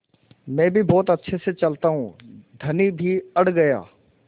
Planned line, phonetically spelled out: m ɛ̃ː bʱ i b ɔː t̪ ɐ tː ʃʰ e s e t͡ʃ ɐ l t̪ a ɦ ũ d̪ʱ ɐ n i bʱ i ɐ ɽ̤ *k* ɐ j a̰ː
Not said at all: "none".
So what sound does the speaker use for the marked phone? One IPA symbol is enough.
ɡ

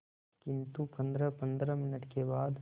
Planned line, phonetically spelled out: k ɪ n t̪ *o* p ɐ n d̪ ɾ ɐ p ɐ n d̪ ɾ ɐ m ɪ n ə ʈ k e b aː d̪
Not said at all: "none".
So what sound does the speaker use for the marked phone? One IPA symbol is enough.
u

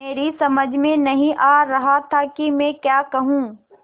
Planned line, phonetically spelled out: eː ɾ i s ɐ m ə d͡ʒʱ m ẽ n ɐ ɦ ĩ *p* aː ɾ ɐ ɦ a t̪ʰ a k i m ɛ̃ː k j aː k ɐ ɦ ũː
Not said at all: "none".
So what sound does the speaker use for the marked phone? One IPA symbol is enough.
ʔ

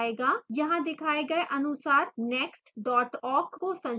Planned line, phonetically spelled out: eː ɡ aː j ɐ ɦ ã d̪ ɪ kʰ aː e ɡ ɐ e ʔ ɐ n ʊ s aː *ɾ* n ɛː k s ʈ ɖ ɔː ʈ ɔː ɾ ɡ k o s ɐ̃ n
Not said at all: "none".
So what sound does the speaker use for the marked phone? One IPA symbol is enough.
ɾ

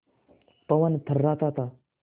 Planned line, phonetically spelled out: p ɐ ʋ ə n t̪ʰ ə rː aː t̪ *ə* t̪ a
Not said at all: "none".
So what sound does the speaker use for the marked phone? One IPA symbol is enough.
a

